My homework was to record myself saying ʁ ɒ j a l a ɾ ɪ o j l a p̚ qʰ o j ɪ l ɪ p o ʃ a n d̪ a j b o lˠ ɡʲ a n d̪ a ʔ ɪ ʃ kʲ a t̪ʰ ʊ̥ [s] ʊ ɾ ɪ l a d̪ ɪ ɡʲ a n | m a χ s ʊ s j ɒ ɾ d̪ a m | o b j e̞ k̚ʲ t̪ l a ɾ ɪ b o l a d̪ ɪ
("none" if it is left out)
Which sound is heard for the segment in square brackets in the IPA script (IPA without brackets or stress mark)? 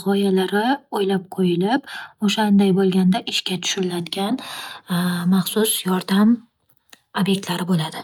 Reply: ʃ